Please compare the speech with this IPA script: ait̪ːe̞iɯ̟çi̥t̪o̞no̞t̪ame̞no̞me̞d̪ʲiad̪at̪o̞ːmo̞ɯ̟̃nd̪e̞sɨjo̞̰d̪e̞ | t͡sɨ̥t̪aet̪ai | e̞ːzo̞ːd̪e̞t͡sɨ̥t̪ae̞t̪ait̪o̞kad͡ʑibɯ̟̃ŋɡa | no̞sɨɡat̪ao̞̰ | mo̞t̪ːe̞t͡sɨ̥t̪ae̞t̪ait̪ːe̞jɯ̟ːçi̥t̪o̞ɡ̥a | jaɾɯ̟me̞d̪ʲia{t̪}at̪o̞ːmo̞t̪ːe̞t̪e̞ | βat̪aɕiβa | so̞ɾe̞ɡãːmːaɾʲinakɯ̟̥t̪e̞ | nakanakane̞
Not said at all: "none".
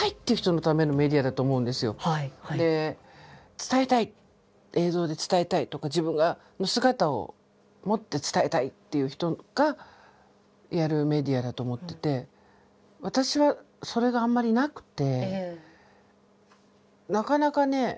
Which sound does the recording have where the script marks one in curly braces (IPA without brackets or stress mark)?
d̪